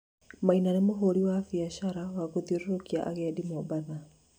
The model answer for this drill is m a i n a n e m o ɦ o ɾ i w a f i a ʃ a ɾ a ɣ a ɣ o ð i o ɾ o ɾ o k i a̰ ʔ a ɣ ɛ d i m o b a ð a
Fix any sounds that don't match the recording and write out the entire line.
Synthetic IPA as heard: m a i n a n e m o ɦ o ɾ i w a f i a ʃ a ɾ a w a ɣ o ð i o ɾ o ɾ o k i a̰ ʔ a ɣ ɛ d i m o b a ð a